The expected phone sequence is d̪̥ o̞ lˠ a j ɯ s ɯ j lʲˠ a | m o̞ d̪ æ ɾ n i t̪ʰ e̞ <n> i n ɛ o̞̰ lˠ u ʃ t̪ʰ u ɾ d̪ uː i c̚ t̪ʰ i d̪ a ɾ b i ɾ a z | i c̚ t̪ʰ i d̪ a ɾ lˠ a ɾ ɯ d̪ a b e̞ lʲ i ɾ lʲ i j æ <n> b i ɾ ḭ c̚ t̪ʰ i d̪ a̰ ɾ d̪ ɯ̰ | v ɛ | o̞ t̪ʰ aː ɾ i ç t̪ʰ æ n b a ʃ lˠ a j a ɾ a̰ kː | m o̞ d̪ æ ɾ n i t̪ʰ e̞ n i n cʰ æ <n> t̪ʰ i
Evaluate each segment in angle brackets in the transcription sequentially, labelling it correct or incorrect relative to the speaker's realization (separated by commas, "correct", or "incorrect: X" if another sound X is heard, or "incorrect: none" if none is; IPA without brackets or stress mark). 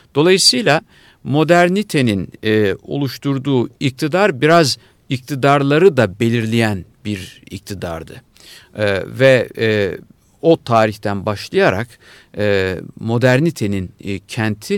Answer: correct, correct, correct